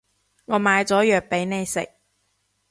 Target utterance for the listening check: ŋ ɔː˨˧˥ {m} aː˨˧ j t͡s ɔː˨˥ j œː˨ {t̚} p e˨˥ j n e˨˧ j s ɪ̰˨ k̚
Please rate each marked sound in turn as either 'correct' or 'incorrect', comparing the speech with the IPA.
correct, incorrect: k̚

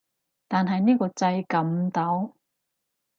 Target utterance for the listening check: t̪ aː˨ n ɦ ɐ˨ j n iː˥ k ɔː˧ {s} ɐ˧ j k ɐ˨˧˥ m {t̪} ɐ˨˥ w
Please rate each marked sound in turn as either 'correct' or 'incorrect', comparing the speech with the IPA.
incorrect: t͡s, correct

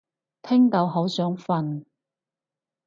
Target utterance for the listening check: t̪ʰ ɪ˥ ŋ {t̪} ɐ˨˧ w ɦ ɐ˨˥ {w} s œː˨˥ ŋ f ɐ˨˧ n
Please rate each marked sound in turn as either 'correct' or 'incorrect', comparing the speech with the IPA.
correct, correct

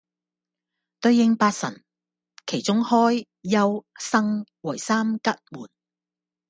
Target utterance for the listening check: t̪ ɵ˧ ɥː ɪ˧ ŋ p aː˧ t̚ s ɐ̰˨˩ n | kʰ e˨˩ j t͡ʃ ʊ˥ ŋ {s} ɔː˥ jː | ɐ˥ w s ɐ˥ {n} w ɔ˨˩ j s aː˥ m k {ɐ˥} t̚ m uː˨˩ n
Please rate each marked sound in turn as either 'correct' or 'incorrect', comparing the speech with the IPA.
incorrect: h, incorrect: ŋ, correct

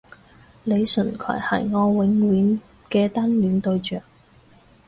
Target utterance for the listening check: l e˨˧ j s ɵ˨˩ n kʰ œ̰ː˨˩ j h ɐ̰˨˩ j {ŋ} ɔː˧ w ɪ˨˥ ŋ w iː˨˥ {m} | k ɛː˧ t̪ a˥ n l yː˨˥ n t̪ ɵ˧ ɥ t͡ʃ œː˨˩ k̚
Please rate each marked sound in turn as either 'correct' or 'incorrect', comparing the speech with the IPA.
correct, incorrect: n

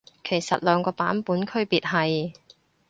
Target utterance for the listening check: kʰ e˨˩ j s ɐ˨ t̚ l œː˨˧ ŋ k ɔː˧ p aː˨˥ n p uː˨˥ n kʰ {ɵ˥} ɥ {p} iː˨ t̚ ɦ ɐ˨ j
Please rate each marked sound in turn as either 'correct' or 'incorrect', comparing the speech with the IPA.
correct, correct

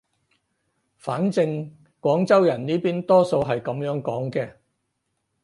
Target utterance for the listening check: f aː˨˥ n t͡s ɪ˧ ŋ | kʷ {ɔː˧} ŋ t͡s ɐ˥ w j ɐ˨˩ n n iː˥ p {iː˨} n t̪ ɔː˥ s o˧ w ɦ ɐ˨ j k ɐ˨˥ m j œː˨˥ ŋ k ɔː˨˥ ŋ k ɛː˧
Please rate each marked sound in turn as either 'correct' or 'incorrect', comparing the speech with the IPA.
incorrect: ɔː˨˥, incorrect: iː˥

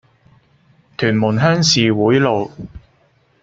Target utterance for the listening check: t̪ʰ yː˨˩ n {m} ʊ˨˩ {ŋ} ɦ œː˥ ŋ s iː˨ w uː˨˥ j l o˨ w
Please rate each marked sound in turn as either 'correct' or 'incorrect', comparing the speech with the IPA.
correct, incorrect: n

